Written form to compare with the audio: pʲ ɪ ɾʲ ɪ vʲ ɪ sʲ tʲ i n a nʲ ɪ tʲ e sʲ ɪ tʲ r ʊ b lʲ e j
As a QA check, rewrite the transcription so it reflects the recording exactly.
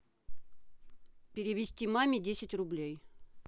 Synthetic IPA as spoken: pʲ ɪ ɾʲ ɪ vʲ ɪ sʲ tʲ i m a mʲ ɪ dʲ e sʲ ɪ tʲ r ʊ b lʲ e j